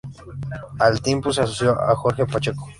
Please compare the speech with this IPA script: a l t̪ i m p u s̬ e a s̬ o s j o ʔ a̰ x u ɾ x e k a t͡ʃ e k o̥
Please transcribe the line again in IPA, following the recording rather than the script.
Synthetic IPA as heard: a l t̪ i m p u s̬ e a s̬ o s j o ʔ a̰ x o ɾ x e p a t͡ʃ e k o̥